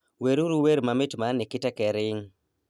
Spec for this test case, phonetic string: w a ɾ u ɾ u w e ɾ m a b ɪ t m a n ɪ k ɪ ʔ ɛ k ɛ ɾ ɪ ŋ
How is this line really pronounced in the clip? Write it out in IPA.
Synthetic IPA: w e ɾ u ɾ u w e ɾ m a m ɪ t m a n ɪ k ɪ t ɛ k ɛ ɾ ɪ ŋ